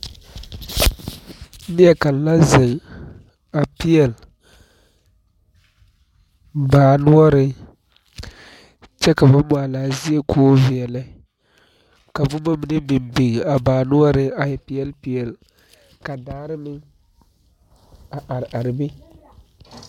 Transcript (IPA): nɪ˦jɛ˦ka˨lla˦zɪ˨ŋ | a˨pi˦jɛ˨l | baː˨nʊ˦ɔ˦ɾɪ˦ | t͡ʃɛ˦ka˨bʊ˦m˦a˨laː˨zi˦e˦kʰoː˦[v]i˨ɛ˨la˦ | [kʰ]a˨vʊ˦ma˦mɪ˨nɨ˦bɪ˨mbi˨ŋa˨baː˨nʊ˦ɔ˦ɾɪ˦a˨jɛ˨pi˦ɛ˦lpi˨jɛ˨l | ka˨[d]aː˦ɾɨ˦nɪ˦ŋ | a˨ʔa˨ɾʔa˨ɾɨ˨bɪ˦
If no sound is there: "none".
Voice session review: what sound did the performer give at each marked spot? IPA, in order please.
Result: v, k, d

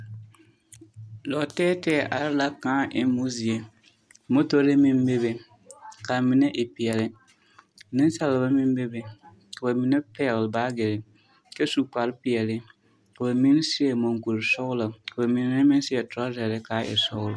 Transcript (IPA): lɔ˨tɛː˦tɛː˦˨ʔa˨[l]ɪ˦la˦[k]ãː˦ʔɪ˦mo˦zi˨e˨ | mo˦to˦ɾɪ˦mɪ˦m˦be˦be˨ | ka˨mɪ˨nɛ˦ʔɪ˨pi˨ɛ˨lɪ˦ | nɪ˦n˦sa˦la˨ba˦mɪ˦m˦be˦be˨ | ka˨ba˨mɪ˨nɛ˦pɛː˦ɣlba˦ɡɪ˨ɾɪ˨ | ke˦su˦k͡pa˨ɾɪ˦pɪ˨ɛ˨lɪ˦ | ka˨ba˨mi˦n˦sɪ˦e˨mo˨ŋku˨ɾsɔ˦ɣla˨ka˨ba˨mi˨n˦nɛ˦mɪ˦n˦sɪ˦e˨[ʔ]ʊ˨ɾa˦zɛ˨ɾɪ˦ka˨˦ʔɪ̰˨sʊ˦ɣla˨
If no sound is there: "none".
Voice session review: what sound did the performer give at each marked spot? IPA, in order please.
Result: ɾ, k, t

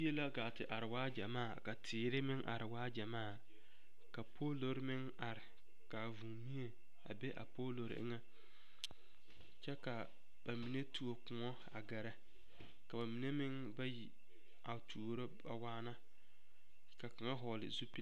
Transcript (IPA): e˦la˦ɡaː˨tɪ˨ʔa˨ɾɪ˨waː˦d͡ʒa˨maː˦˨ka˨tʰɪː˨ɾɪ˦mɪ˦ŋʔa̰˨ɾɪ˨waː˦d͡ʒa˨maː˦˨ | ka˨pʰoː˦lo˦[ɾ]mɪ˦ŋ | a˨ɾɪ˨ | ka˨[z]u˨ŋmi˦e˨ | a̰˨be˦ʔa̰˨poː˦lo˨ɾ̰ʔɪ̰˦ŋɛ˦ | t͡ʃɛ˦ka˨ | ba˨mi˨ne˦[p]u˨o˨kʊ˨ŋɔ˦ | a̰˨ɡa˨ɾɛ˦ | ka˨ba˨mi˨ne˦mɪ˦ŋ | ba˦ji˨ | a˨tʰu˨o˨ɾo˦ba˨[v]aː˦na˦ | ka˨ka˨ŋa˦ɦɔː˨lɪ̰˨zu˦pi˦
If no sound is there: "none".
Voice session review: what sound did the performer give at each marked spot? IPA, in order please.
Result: ɾ, v, t, w

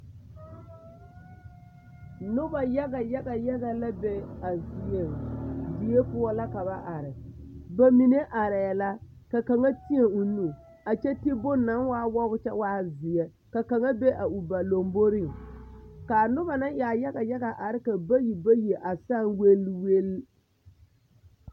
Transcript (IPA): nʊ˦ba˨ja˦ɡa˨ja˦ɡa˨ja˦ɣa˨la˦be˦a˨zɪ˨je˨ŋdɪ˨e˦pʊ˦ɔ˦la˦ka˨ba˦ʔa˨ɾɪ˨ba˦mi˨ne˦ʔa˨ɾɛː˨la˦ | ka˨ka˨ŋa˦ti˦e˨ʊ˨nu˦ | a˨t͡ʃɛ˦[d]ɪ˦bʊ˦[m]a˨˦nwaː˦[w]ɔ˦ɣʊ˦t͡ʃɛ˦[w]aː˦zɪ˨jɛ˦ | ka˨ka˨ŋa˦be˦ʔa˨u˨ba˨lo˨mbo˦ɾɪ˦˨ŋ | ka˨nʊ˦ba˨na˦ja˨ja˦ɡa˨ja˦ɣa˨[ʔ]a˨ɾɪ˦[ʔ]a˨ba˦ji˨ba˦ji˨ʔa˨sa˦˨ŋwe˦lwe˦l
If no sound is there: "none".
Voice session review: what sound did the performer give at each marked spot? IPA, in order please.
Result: t, n, w, w, ʔ, k

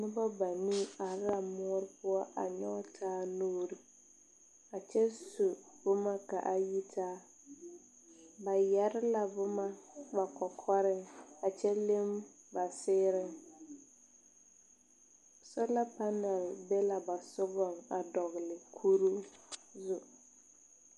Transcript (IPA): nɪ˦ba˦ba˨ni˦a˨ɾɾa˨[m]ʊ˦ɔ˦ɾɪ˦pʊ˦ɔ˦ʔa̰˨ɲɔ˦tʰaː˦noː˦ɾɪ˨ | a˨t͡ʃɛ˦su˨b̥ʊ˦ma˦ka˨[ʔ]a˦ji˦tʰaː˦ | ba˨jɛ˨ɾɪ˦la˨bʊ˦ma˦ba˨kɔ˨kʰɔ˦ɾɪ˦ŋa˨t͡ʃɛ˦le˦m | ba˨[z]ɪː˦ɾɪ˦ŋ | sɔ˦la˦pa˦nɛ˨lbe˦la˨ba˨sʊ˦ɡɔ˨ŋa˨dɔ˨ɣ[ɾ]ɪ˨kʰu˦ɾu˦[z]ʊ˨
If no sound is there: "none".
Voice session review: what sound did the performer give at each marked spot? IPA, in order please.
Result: m, ʔ, s, l, z

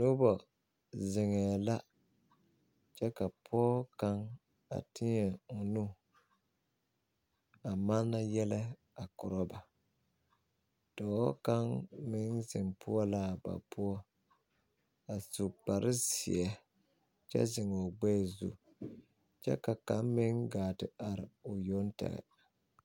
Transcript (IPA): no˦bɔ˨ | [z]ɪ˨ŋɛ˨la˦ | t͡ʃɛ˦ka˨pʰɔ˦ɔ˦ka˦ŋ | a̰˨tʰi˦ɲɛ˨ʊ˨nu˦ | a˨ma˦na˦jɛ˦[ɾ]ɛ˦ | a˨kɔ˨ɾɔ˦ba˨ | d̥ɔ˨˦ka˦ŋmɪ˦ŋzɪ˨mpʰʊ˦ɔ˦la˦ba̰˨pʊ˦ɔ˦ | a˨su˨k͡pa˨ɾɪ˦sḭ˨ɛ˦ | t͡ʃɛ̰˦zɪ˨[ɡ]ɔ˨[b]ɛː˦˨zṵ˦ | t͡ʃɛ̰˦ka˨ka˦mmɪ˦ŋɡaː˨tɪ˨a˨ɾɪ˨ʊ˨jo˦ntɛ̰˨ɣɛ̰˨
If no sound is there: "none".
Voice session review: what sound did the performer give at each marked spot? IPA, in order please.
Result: z, l, ŋ, ɡ͡b

